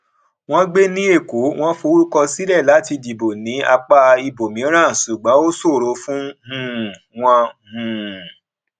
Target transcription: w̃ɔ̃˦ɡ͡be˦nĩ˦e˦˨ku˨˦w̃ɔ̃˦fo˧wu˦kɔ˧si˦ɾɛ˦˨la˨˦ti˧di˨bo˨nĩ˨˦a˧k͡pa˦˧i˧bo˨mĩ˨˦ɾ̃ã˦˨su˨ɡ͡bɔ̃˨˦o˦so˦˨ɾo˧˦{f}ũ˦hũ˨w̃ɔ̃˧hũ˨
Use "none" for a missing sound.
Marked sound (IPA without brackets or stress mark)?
f